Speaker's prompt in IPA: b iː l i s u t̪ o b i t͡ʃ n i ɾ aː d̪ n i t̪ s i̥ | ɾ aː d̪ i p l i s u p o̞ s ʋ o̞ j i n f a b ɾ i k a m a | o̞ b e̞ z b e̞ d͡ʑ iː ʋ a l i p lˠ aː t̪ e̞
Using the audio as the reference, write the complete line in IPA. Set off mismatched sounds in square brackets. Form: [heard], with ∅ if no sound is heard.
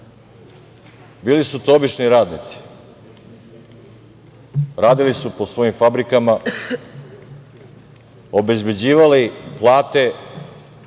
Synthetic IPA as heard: b iː l i s u t̪ o b i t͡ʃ n i ɾ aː d̪ n i t̪ s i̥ | ɾ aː d̪ i [∅] l i s u p o̞ s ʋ o̞ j i [m] f a b ɾ i k a m a | o̞ b e̞ z b e̞ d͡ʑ iː ʋ a l i p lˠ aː t̪ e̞

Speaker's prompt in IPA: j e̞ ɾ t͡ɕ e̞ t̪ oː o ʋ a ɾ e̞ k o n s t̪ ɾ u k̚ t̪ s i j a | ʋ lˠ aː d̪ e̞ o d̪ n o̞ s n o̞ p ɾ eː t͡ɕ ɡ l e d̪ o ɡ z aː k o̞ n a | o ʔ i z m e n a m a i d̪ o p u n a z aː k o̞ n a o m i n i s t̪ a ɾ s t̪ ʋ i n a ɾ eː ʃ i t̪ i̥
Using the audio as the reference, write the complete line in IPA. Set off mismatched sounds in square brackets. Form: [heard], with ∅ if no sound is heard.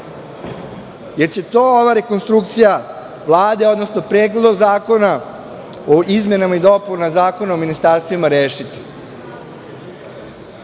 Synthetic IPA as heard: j e̞ ɾ t͡ɕ e̞ t̪ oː o ʋ a ɾ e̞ k o n s t̪ ɾ u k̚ t̪ s i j a | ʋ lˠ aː d̪ e̞ o d̪ n o̞ s n o̞ p ɾ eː [∅] ɡ l e d̪ o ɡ z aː k o̞ n a | o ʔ i z m e n a m a i d̪ o p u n a z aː k o̞ n a o m i n i s t̪ a ɾ s t̪ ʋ i [m] a ɾ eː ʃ i t̪ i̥

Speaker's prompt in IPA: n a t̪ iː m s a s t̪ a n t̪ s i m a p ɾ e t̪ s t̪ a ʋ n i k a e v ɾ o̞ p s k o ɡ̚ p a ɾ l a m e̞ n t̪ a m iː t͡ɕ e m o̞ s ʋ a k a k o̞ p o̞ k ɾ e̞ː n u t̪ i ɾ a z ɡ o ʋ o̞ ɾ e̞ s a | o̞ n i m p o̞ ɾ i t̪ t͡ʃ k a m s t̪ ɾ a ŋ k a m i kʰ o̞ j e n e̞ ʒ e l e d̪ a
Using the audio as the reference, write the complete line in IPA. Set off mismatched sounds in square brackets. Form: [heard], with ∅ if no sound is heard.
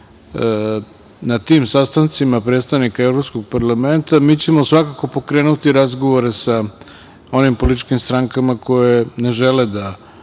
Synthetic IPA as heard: n a t̪ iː m s a s t̪ a n t̪ s i m a p ɾ e t̪ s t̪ a ʋ n i k a e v ɾ o̞ p s k o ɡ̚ p a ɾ l a m e̞ n t̪ a m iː t͡ɕ e m o̞ s ʋ a k a k o̞ p o̞ k ɾ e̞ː n u t̪ i ɾ a z ɡ o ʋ o̞ ɾ e̞ s a | o̞ n i m p o̞ [l] i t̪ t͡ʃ k [i] m s t̪ ɾ a ŋ k a m [a] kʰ o̞ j e n e̞ ʒ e l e d̪ a

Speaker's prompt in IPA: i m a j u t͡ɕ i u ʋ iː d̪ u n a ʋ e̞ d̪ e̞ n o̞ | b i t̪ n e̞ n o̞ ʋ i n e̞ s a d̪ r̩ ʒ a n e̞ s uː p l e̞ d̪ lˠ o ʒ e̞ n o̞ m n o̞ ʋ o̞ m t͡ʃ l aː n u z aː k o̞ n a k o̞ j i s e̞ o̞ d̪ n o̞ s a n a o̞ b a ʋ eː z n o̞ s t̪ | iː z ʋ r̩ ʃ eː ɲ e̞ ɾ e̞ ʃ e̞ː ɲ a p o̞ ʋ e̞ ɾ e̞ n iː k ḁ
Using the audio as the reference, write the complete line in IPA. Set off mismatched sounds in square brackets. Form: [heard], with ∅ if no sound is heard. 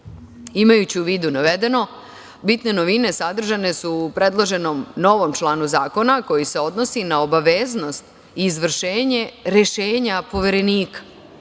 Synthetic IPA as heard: i m a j u t͡ɕ i u ʋ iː d̪ u n a ʋ e̞ d̪ e̞ n o̞ | b i t̪ n e̞ n o̞ ʋ i n e̞ s a d̪ r̩ ʒ a n e̞ s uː p [ɾ] e̞ d̪ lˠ o ʒ e̞ n o̞ m n o̞ ʋ o̞ m t͡ʃ l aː n u z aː k o̞ n a k o̞ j i s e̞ o̞ d̪ n o̞ s [i] n a o̞ b a ʋ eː z n o̞ s t̪ | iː z ʋ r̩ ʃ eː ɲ e̞ ɾ e̞ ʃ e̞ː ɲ a p o̞ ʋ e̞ ɾ e̞ n iː k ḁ

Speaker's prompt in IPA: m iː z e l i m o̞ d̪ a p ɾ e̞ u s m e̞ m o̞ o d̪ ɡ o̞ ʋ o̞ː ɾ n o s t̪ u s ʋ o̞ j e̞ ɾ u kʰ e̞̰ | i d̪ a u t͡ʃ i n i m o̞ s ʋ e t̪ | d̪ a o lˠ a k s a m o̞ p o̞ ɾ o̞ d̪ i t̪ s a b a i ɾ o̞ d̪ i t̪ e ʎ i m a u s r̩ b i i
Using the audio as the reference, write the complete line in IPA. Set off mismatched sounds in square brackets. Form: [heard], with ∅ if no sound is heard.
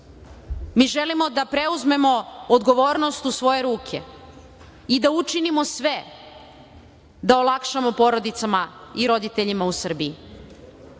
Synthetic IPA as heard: m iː [ʒ] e l i m o̞ d̪ a p ɾ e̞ u [z] m e̞ m o̞ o d̪ ɡ o̞ ʋ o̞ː ɾ n o s t̪ u s ʋ o̞ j e̞ ɾ [uː] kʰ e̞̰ | i d̪ a u t͡ʃ i n i m o̞ s ʋ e [∅] | d̪ a o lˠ a k [ʃ] a m o̞ p o̞ ɾ o̞ d̪ i t̪ s a [m] a i ɾ o̞ d̪ i t̪ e ʎ i m a u s r̩ b i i

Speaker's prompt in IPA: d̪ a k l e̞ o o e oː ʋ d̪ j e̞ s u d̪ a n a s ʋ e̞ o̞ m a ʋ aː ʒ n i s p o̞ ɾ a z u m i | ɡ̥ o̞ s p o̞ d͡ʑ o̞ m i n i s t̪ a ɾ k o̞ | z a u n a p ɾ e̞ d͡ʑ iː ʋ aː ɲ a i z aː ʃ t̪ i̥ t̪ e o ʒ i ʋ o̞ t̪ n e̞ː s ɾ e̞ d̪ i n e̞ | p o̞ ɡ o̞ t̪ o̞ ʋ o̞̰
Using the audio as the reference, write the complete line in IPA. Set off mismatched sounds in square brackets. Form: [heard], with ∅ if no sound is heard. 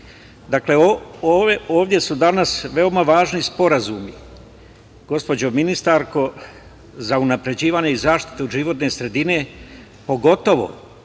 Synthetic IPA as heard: d̪ a k l e̞ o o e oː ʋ d̪ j e̞ s u d̪ a n a s ʋ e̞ o̞ m a ʋ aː ʒ n i s p o̞ ɾ a z u m i | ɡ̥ o̞ s p o̞ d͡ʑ o̞ m i n i s t̪ a ɾ k o̞ | z a u n a p ɾ e̞ d͡ʑ iː ʋ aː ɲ [e] i z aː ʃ t̪ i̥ t̪ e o ʒ i ʋ o̞ t̪ n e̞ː s ɾ e̞ d̪ i n e̞ | p o̞ ɡ o̞ t̪ o̞ ʋ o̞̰

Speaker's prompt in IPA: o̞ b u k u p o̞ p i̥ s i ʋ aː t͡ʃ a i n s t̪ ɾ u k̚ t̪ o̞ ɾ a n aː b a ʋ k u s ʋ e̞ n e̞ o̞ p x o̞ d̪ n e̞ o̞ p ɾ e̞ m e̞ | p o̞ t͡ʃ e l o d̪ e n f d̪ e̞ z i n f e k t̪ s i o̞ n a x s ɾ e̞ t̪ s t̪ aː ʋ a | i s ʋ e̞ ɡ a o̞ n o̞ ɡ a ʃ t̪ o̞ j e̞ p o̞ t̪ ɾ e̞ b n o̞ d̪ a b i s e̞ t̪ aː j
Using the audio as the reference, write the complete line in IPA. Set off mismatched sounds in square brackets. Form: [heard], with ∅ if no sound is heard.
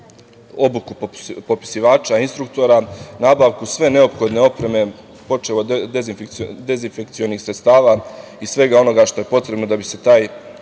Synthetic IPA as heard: o̞ b u k u p o̞ p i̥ s i ʋ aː t͡ʃ a i n s t̪ ɾ u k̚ t̪ o̞ ɾ a n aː b a ʋ k u s ʋ e̞ n e̞ o̞ p x o̞ d̪ n e̞ o̞ p ɾ e̞ m e̞ | p o̞ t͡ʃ e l o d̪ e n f d̪ e̞ z i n f e k t̪ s i o̞ n [i] x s ɾ e̞ t̪ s t̪ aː ʋ a | i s ʋ e̞ ɡ a o̞ n o̞ ɡ a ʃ t̪ o̞ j e̞ p o̞ t̪ ɾ e̞ b n o̞ d̪ a b i s e̞ t̪ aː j

